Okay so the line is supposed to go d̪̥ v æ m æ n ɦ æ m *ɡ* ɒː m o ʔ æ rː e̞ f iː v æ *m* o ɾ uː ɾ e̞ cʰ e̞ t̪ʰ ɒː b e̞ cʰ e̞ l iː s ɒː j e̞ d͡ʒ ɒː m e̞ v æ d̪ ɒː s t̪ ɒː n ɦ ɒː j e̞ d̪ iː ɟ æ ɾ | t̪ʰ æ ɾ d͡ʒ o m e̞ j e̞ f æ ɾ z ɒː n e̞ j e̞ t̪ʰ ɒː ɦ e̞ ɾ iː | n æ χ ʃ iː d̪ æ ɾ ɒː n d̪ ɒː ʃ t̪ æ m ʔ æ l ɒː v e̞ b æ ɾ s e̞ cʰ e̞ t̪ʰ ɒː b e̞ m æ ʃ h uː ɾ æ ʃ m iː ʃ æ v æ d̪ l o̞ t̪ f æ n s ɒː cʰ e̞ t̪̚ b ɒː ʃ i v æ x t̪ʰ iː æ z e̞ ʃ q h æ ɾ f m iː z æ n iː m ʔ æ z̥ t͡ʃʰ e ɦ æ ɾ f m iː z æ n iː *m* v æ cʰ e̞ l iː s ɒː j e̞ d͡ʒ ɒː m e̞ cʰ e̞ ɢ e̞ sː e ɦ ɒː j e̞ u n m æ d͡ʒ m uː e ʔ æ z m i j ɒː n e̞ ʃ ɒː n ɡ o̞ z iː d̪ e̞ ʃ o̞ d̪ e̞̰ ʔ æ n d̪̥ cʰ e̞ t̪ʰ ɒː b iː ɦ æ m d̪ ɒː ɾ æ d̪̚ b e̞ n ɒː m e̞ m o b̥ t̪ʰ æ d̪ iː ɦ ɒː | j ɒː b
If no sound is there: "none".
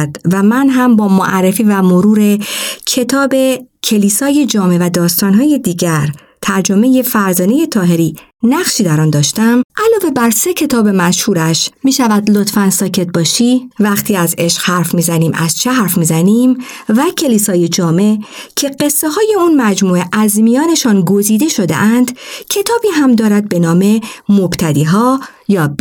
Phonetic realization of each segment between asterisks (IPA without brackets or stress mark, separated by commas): b, m, m